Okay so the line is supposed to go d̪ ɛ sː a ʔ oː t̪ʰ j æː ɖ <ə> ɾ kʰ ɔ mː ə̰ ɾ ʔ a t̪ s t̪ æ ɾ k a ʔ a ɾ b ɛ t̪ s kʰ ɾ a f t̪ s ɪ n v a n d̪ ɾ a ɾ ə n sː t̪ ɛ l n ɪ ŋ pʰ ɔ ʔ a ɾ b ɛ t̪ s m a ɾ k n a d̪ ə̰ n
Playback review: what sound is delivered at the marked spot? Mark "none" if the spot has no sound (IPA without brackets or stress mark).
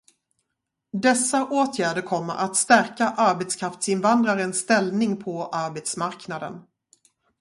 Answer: ə